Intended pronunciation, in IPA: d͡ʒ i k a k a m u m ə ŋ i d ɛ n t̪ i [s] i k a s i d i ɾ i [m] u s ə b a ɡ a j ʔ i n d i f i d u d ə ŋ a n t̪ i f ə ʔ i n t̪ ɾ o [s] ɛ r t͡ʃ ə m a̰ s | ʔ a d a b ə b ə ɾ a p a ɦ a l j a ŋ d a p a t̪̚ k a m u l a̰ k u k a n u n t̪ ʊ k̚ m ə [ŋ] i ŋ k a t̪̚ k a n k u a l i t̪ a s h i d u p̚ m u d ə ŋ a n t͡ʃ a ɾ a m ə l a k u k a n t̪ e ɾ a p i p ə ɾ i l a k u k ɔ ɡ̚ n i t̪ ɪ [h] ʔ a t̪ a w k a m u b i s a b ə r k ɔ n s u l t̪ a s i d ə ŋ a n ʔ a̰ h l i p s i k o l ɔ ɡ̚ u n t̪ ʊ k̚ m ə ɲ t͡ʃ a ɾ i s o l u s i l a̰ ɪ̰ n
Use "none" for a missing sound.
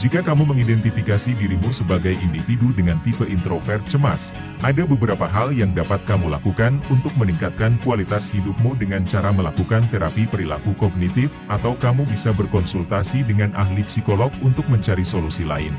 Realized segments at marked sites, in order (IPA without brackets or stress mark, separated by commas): f, m, f, n, f